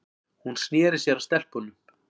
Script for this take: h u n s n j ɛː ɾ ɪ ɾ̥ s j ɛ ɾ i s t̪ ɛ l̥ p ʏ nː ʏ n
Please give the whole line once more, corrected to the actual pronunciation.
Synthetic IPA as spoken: h u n s n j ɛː ɾ ɪ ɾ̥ s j ɛ ɾ a s t̪ ɛ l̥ p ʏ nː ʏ m